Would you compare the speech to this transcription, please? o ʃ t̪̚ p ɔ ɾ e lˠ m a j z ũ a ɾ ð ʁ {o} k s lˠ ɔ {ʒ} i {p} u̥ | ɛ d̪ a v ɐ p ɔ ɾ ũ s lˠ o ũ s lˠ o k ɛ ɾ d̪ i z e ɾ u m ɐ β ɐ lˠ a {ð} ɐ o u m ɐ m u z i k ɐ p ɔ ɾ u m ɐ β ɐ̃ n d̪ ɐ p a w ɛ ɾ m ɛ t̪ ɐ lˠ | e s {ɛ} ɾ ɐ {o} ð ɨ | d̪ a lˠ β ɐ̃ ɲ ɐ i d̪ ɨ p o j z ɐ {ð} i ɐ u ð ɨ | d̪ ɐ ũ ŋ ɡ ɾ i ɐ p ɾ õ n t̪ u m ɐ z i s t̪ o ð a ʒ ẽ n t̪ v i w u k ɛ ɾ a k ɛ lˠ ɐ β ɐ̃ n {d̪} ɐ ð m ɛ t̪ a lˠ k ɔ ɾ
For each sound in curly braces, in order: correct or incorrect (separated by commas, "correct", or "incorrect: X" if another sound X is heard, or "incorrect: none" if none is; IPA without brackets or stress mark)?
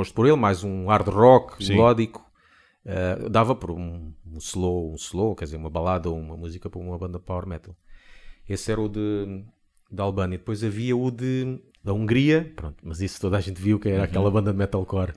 incorrect: ɔ, incorrect: ð, incorrect: k, correct, correct, incorrect: u, incorrect: v, correct